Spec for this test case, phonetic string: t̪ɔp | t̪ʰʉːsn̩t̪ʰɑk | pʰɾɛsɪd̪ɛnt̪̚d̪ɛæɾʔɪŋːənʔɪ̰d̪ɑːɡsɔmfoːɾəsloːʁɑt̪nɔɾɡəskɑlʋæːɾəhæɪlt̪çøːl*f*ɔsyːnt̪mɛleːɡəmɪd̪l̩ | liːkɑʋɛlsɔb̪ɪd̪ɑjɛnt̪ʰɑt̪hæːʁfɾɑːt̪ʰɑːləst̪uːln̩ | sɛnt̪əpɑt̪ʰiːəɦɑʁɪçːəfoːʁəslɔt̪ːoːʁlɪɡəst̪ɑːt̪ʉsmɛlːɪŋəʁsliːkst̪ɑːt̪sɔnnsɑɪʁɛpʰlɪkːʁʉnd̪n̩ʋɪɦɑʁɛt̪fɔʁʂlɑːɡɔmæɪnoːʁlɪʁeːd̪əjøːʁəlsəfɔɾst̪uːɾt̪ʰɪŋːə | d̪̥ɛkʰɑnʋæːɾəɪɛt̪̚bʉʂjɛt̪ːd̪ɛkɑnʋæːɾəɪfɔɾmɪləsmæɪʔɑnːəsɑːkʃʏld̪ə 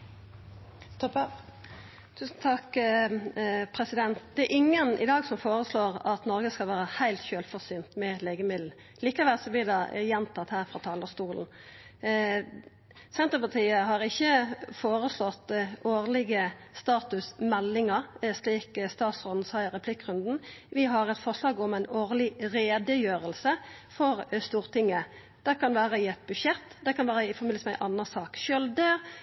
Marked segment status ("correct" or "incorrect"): correct